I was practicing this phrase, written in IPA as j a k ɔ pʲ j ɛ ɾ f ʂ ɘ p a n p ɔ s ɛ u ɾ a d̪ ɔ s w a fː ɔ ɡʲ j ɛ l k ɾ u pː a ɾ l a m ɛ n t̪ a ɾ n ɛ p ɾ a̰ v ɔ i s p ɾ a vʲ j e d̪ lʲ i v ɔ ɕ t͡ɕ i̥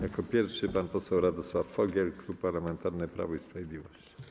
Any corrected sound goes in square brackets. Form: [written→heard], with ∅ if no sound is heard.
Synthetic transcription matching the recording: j a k ɔ pʲ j ɛ ɾ f ʂ ɘ p a n p ɔ s ɛ [u→w] ɾ a d̪ ɔ s w a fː ɔ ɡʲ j ɛ l k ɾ u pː a ɾ l a m ɛ n t̪ a ɾ n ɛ p ɾ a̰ v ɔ i s p ɾ a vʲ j e d̪ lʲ i v ɔ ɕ t͡ɕ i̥